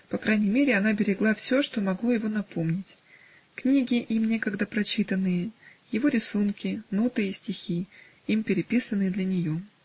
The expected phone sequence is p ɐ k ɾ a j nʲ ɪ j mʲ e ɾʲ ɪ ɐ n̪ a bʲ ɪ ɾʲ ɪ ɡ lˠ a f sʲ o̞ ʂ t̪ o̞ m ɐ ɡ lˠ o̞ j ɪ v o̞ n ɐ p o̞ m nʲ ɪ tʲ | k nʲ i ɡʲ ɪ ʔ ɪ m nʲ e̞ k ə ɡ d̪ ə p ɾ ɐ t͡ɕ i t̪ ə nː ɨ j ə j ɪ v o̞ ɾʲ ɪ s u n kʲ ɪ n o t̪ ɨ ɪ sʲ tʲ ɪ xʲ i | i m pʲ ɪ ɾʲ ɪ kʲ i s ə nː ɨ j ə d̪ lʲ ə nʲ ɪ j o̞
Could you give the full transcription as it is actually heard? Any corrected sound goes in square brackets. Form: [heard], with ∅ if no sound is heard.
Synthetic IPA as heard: p ɐ k ɾ a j nʲ ɪ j mʲ e ɾʲ ɪ ɐ n̪ a bʲ ɪ ɾʲ ɪ ɡ lˠ a f sʲ o̞ ʂ t̪ o̞ m ɐ ɡ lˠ o̞ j ɪ v o̞ n ɐ p o̞ m nʲ ɪ tʲ | k nʲ i ɡʲ ɪ ʔ [i] m nʲ e̞ k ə ɡ d̪ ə p ɾ ɐ t͡ɕ i t̪ ə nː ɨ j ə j ɪ v o̞ ɾʲ ɪ s u n kʲ ɪ n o t̪ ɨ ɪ sʲ tʲ ɪ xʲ i | i m pʲ ɪ ɾʲ ɪ [pʲ] i s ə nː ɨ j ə d̪ lʲ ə nʲ ɪ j o̞

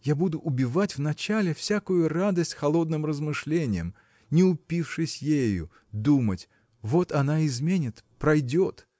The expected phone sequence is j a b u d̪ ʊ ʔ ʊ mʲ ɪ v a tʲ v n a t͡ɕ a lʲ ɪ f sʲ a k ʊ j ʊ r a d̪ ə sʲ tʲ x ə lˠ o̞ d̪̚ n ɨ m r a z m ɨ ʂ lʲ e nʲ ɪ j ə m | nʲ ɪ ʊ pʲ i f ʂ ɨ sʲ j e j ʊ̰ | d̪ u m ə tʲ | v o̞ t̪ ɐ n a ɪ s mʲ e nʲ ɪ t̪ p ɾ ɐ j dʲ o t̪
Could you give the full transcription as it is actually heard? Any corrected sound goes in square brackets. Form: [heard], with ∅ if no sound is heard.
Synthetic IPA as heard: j a b u d̪ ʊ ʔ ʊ [bʲ] ɪ v a tʲ v n [ɐ] t͡ɕ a lʲ ɪ f sʲ a k ʊ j ʊ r a d̪ ə sʲ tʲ x [ɐ] lˠ o̞ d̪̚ n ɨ m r [ə] z m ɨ ʂ lʲ e nʲ ɪ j ə m | nʲ ɪ ʊ pʲ i f ʂ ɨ sʲ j e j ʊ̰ | d̪ u m ə tʲ | v o̞ t̪ ɐ n a ɪ [z] mʲ e nʲ ɪ t̪ p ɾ ɐ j dʲ o t̪

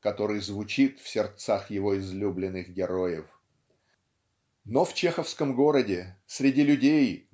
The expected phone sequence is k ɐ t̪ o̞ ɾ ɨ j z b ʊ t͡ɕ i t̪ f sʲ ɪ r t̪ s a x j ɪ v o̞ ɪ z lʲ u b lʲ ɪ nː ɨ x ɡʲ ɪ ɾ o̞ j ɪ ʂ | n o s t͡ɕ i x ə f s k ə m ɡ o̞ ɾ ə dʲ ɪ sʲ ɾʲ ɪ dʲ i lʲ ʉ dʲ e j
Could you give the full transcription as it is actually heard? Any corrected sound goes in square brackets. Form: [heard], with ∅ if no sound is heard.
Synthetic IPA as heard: k ɐ t̪ o̞ ɾ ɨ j z [v] ʊ t͡ɕ i t̪ f sʲ ɪ r t̪ s a x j ɪ v o̞ ɪ z lʲ u b lʲ ɪ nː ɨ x ɡʲ ɪ ɾ o̞ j ɪ [f] | n o [f] t͡ɕ [e] x ə f s k ə m ɡ o̞ ɾ ə dʲ ɪ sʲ ɾʲ ɪ dʲ i lʲ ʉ dʲ e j

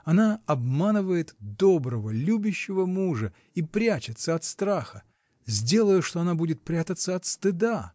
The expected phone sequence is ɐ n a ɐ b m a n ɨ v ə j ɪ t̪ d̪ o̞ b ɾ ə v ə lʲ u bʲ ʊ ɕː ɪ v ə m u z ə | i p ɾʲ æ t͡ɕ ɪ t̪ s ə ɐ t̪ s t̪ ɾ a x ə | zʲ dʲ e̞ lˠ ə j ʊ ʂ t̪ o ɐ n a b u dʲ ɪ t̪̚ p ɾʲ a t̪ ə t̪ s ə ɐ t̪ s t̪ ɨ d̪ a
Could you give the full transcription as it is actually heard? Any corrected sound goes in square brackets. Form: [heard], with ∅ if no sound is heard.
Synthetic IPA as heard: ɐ n a ɐ b m a n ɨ v ə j ɪ t̪ d̪ o̞ b ɾ ə v ə lʲ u bʲ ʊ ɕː ɪ v ə m u [ʐ] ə | i p ɾʲ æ t͡ɕ ɪ t̪ s ə ɐ t̪ s t̪ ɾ a x ə | zʲ dʲ e̞ lˠ ə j ʊ ʂ t̪ o ɐ n a b u dʲ ɪ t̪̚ p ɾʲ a t̪ ə t̪ s ə ɐ t̪ s t̪ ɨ d̪ a

